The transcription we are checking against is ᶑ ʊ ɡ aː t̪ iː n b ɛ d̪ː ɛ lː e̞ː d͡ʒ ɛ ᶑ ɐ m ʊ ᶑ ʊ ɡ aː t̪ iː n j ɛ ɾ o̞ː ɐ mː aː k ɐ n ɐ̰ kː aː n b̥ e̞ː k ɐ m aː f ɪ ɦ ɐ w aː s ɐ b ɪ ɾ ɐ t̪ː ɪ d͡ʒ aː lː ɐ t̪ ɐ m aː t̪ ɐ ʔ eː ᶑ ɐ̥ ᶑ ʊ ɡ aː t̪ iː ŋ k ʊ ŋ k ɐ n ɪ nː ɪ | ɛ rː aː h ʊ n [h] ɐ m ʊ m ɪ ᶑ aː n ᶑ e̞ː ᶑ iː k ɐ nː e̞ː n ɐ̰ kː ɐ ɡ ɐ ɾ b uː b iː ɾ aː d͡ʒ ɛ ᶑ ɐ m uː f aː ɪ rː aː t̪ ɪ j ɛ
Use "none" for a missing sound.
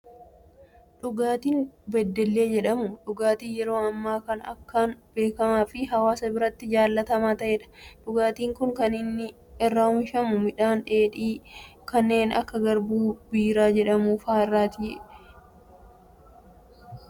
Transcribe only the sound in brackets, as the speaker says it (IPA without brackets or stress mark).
ʃ